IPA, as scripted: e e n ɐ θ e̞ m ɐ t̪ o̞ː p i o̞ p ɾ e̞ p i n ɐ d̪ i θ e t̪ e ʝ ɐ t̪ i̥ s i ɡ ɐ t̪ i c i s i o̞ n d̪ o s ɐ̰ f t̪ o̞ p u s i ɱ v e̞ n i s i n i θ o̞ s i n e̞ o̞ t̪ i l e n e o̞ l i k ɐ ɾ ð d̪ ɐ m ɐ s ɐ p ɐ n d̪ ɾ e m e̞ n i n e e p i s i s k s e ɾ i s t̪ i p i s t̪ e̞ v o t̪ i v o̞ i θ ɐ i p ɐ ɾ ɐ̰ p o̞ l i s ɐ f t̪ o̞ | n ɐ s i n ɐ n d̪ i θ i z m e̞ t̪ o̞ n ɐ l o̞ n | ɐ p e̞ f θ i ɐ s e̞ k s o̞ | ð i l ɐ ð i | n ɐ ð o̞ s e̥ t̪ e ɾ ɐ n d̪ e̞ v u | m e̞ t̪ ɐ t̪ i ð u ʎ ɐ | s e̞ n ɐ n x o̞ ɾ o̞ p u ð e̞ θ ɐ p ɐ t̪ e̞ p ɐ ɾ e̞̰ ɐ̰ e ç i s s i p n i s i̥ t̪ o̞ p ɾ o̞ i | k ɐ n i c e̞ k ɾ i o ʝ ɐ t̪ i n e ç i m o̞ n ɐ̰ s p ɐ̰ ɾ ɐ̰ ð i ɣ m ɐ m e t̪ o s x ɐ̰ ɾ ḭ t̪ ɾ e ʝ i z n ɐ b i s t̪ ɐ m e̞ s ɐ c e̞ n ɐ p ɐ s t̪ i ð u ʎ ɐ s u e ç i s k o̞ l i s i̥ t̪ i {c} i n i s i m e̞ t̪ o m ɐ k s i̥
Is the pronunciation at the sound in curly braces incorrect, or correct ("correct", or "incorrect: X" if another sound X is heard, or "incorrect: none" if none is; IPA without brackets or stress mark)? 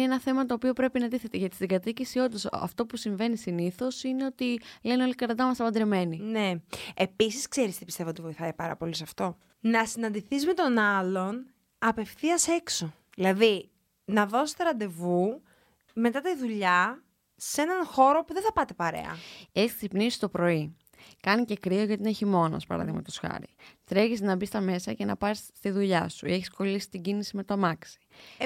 incorrect: ɟ